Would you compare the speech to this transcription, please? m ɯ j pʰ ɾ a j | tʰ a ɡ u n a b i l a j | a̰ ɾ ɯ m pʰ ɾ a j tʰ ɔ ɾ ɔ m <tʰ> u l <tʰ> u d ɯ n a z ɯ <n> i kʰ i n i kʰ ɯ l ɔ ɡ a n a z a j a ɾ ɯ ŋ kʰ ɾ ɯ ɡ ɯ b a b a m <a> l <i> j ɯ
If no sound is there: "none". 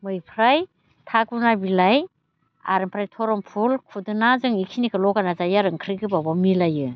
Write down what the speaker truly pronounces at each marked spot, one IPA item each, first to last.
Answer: pʰ, kʰ, ŋ, i, a

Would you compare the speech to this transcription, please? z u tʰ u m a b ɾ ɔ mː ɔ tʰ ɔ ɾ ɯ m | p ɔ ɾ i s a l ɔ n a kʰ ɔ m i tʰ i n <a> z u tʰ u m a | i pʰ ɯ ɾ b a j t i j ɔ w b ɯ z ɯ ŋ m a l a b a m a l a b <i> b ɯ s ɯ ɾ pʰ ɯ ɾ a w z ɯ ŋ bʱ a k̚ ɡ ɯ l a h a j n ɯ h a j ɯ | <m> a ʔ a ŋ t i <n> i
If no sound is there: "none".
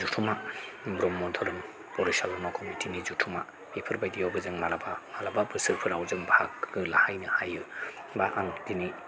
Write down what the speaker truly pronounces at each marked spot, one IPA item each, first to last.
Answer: i, a, b, n

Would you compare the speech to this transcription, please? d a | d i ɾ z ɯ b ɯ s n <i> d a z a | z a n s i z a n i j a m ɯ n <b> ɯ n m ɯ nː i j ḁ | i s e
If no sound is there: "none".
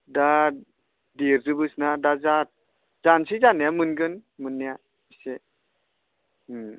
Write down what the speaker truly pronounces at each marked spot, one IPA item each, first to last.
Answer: a, ɡ

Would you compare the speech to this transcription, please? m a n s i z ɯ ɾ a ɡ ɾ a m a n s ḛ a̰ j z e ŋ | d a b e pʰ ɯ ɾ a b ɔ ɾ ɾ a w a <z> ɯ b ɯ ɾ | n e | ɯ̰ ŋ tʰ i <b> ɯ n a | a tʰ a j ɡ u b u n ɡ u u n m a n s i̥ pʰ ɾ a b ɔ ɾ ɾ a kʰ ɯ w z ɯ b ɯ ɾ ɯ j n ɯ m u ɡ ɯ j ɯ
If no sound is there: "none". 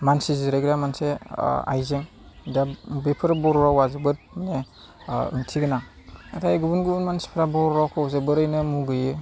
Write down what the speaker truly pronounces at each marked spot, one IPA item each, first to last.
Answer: z, ɡ

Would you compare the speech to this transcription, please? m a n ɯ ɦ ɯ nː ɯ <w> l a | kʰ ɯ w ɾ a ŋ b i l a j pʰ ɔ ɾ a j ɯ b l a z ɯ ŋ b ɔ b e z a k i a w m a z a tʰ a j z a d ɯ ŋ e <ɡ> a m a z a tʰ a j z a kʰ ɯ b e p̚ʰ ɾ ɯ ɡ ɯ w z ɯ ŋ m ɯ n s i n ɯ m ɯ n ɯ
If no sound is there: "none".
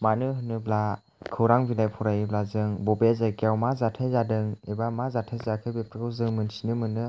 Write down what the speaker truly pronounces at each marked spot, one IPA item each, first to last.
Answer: b, b

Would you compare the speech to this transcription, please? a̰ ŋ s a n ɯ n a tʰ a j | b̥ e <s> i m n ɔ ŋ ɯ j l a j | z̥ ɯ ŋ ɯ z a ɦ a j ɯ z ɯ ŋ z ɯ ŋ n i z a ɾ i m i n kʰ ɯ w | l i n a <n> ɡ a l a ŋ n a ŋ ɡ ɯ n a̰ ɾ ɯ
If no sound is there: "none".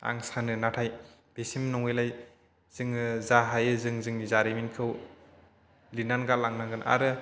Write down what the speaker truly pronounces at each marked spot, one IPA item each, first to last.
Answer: s, n

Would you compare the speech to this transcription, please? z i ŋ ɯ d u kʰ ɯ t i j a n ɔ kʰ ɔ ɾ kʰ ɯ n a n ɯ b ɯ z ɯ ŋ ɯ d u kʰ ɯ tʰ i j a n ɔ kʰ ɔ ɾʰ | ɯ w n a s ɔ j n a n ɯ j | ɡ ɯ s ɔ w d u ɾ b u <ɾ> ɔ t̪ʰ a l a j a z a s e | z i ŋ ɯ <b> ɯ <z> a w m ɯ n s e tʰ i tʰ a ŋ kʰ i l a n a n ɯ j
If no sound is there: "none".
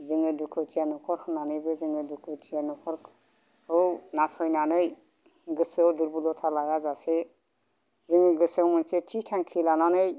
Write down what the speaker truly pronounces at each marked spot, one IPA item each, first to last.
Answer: l, ɡ, s

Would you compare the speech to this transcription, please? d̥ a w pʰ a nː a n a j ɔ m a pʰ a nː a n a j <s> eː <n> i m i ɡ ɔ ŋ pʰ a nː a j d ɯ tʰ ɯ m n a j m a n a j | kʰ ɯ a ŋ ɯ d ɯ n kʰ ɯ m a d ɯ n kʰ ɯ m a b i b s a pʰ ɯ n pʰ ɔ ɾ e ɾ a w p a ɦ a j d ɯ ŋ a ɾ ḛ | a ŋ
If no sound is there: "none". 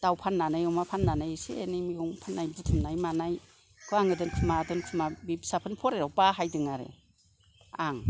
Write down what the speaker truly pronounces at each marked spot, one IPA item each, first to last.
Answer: s, n

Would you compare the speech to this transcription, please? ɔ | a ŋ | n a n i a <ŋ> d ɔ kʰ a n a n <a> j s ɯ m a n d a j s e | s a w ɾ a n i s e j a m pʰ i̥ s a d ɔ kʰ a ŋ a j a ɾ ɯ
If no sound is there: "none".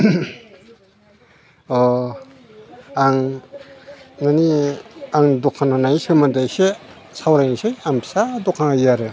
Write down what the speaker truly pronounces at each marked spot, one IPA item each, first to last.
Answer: ŋ, a

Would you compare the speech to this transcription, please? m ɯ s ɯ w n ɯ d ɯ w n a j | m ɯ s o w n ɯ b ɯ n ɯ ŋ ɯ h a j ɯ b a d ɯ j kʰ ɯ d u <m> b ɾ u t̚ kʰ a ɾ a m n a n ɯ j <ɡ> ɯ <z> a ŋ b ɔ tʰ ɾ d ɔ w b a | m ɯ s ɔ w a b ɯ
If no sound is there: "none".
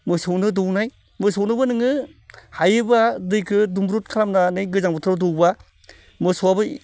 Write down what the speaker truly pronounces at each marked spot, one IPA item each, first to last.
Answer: m, ɡ, z

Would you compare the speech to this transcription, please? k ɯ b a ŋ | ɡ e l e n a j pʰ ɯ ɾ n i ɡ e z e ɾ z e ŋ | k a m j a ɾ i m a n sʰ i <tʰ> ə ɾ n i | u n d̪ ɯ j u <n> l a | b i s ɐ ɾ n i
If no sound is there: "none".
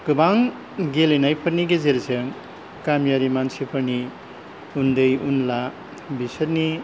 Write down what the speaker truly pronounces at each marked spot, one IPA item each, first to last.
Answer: pʰ, n

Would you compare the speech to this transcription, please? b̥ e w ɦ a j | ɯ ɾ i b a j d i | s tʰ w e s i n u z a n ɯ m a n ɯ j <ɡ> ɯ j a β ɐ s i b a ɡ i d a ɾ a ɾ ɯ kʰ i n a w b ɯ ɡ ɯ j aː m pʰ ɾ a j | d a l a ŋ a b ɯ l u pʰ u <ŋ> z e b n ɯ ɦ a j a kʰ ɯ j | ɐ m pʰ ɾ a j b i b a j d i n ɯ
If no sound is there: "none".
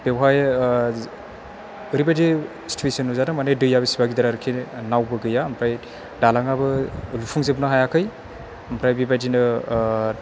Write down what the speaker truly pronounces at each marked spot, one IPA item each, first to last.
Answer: d, ŋ

